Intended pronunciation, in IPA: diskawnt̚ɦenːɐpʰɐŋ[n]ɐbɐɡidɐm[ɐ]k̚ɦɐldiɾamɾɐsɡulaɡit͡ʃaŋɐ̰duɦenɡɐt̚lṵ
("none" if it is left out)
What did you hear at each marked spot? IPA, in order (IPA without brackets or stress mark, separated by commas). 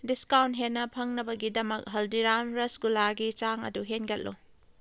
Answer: n, ɐ